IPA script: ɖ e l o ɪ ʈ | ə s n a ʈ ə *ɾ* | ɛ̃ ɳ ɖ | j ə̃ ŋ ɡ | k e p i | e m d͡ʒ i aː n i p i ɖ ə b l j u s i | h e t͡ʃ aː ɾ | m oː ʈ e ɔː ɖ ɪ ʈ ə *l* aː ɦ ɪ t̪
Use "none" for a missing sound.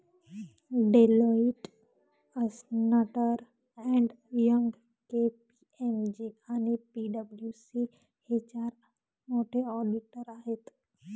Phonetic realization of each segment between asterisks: ɾ, ɾ

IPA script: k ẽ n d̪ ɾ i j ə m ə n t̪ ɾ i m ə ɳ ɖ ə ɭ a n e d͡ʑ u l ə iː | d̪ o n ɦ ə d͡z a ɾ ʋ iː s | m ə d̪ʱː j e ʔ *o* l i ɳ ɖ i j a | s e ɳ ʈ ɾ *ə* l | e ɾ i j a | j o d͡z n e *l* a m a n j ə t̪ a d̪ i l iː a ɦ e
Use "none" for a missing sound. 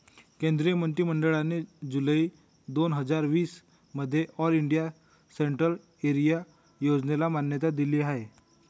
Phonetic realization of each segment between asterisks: ɔ, ə, l

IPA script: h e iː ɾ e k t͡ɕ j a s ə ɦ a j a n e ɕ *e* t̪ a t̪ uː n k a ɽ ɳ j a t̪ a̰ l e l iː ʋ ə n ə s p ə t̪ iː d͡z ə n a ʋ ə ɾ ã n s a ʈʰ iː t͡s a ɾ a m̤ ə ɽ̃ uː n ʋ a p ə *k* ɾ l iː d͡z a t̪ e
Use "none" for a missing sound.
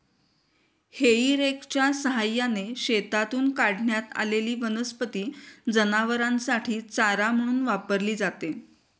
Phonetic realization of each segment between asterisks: e, none

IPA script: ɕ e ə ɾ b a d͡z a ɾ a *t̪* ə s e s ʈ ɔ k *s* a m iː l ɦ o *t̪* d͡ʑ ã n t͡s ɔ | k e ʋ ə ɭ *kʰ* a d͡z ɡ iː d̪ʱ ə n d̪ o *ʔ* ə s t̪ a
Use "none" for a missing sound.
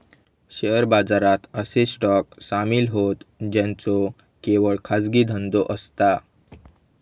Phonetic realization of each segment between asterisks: t̪, s, t̪, kʰ, ʔ

